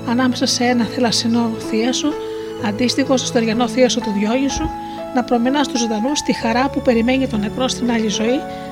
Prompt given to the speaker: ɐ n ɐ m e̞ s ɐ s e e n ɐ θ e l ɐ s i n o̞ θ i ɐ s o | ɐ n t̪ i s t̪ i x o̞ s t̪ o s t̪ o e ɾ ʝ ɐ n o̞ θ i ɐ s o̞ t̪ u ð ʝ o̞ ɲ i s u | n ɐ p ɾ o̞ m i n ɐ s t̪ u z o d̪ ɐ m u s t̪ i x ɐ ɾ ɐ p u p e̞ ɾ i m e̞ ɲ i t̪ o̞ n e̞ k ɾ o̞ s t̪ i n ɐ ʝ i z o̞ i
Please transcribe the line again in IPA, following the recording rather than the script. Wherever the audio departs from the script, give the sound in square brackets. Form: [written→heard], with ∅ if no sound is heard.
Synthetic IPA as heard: ɐ n ɐ m e̞ s ɐ s e e n ɐ θ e l ɐ s i n o̞ θ i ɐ s o | ɐ n [t̪→d̪] i s t̪ i x o̞ s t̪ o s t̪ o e ɾ ʝ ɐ n o̞ θ i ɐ s o̞ t̪ u ð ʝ o̞ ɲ i s u | n ɐ p ɾ o̞ m i n ɐ s t̪ u z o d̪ ɐ [m→n] u s t̪ i x ɐ ɾ ɐ p u p e̞ ɾ i m e̞ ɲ i t̪ o̞ n e̞ k ɾ o̞ s t̪ i n ɐ [ʝ→ʎ] i z o̞ i